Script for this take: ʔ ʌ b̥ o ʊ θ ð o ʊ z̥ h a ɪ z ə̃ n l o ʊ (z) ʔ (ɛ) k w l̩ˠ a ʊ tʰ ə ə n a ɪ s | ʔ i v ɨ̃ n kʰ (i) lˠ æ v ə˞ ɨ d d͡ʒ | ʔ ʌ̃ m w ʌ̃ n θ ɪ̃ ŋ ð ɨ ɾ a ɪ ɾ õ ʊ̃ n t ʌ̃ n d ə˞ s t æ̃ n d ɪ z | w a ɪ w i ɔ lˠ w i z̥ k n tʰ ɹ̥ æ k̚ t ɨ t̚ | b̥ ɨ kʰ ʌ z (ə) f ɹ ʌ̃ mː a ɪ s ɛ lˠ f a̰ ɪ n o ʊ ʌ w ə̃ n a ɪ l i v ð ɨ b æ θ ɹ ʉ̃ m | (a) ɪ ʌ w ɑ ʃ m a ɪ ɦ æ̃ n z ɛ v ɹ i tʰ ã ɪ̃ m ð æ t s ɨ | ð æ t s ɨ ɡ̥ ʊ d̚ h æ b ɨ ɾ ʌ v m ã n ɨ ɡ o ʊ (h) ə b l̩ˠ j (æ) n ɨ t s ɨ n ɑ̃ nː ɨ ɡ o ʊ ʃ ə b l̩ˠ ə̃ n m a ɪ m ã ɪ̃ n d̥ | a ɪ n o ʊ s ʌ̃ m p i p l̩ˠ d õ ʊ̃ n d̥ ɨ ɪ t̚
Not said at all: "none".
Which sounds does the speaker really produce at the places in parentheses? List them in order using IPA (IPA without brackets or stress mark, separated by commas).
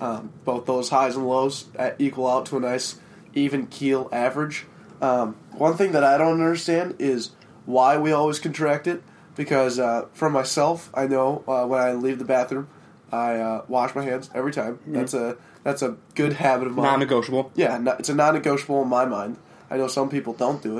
z, i, i, ʌ, a, ʃ, æ